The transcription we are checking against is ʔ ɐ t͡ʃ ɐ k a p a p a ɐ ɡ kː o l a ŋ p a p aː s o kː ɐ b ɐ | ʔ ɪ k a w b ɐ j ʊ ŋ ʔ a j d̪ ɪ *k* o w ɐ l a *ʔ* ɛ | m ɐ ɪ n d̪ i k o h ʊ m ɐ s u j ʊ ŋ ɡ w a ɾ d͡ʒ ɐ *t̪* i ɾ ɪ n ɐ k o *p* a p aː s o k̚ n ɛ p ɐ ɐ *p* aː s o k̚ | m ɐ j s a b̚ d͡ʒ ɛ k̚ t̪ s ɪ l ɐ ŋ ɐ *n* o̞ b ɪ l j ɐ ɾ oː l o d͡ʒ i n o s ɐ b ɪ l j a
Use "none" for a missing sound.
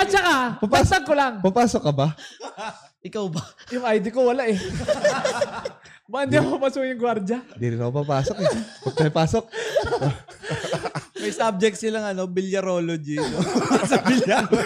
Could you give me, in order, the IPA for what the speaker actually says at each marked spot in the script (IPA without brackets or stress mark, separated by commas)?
k, ʔ, d̪, p, p, n